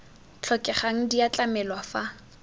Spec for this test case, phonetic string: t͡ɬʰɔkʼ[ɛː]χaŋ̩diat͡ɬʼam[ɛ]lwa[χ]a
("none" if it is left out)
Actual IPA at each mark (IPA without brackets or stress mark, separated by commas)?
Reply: ɛ, ɛ, f